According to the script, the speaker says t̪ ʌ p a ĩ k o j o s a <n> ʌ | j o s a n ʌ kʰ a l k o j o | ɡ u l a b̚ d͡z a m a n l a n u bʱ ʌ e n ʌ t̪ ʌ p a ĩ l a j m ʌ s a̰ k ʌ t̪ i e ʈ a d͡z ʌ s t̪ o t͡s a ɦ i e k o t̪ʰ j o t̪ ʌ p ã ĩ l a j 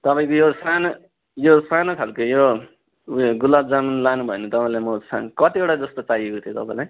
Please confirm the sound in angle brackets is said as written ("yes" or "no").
yes